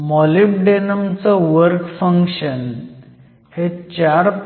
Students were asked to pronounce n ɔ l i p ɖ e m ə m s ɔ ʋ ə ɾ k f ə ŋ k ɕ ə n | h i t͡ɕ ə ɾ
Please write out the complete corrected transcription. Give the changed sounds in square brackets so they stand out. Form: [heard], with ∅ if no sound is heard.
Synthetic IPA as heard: [m] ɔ l i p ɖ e [n] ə m [t͡s] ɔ ʋ ə ɾ k f ə ŋ k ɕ ə n | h [e] t͡ɕ [a] ɾ